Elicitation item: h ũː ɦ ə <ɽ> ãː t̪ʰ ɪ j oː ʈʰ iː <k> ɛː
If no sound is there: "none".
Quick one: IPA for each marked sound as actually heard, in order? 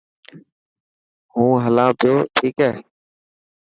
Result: l, k

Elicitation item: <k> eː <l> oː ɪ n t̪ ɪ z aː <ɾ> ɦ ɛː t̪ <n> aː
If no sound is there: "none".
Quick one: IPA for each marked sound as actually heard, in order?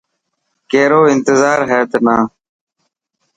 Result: k, ɾ, ɾ, n

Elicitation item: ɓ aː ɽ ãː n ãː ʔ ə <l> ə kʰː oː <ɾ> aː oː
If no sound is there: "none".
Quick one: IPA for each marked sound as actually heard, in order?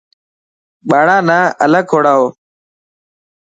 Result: l, ɽ

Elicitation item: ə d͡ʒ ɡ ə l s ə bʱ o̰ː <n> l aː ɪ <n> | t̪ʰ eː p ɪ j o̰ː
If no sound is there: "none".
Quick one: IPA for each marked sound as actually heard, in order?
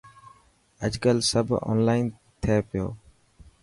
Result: n, n

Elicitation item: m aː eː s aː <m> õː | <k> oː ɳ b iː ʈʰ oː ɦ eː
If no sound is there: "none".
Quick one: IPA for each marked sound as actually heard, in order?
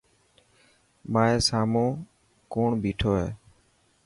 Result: m, k

